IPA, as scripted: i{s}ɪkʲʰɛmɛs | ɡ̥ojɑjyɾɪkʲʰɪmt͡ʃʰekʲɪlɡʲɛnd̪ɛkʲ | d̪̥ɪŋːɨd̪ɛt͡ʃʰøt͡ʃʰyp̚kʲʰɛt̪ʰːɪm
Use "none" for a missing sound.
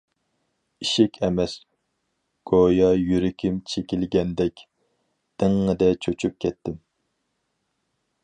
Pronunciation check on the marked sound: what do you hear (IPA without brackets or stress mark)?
ʃ